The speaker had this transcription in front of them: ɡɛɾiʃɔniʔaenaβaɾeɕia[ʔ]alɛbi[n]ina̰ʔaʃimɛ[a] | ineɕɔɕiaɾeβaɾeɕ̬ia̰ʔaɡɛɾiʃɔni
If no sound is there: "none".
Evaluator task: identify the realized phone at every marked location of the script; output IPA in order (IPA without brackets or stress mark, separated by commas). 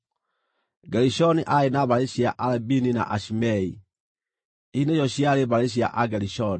ʔ, n, i